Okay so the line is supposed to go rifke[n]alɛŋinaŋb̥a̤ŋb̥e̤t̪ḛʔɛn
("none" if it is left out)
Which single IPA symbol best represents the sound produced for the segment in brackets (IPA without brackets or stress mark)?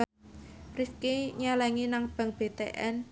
ɲ